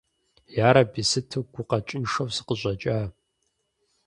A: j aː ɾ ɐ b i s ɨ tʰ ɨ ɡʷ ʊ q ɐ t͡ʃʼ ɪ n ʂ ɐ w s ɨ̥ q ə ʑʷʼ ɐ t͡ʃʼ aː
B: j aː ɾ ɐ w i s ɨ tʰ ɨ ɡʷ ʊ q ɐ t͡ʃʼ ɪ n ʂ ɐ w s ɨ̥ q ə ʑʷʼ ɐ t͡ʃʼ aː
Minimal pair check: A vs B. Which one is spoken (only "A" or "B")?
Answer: A